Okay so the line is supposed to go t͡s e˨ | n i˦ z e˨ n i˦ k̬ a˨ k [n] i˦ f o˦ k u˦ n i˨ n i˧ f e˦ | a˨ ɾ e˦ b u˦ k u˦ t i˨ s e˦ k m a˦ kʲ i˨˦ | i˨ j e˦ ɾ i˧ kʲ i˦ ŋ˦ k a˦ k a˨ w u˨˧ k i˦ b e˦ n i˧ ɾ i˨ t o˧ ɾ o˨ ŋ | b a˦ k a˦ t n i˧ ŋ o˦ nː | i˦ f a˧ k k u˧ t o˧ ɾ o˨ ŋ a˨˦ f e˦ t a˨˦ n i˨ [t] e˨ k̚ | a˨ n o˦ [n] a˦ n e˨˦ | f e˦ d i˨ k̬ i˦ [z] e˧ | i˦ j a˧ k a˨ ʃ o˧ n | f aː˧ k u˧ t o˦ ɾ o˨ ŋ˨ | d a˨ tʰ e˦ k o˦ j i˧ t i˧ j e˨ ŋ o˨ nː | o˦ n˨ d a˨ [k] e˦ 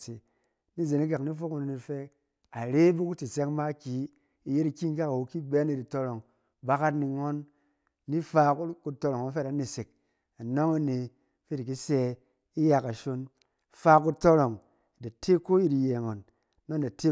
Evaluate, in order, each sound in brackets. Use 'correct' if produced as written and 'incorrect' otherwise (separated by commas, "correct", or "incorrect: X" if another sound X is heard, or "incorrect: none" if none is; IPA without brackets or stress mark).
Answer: correct, incorrect: s, incorrect: ŋ, incorrect: s, incorrect: t